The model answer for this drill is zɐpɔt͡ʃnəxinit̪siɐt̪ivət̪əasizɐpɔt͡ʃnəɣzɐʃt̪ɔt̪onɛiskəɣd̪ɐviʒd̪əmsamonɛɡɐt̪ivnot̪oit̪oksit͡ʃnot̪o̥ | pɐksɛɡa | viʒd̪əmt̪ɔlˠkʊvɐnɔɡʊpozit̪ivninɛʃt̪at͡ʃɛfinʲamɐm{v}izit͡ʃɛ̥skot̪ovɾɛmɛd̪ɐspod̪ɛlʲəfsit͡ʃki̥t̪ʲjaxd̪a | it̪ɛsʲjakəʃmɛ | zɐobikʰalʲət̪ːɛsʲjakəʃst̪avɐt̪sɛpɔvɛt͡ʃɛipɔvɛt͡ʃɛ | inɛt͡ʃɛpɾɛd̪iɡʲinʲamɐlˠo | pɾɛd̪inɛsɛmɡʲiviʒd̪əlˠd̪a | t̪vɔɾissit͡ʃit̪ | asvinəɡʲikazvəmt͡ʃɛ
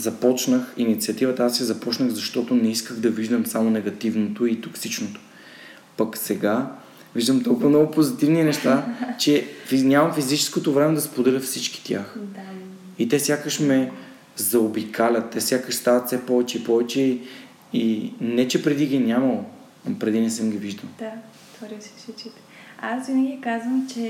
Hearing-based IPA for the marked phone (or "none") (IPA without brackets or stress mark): f